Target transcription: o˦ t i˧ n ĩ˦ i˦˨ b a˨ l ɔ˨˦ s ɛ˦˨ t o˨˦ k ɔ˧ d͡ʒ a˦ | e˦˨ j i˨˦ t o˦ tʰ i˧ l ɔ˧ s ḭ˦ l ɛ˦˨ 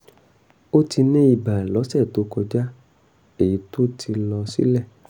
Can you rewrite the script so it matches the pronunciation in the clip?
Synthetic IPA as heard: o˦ t i˧ n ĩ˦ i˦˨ b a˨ l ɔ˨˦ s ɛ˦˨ t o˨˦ k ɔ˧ d͡ʒ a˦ | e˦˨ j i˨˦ t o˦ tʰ i˧ l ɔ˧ s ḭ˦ l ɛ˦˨

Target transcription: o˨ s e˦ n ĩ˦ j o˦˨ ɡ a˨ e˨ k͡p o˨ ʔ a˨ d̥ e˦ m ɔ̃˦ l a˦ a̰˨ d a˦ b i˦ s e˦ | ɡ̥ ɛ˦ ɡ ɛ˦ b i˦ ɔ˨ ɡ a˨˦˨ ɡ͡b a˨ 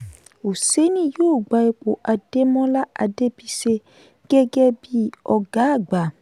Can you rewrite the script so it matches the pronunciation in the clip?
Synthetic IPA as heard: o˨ s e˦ n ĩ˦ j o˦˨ ɡ͡b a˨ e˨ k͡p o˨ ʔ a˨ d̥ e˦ m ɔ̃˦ l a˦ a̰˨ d e˦ b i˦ s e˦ | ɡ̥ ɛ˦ ɡ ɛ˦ b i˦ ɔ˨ ɡ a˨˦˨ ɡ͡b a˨

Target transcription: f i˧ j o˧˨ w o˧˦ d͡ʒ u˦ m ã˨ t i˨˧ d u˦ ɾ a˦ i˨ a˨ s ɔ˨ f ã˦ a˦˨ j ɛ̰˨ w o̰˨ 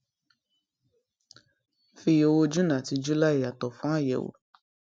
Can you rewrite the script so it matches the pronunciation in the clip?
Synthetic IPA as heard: f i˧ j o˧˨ w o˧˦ d͡ʒ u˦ n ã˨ t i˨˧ d͡ʒ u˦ l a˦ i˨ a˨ t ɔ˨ f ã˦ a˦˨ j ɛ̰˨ w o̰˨

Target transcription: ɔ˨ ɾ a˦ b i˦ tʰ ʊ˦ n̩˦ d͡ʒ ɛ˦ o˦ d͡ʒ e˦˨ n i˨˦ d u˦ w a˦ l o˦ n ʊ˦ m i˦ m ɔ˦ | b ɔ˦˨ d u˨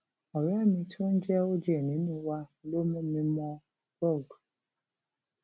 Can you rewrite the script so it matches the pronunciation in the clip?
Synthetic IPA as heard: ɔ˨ ɾ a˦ m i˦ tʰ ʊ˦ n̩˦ d͡ʒ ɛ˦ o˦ d͡ʒ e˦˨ n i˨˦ n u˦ w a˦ l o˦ m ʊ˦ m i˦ m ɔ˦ | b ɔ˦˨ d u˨

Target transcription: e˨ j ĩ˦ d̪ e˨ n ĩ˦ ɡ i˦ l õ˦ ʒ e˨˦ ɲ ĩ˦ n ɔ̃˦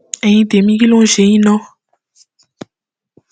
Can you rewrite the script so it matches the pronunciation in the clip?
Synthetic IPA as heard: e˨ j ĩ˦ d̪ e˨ m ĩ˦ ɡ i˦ l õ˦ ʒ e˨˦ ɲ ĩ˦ n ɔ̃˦

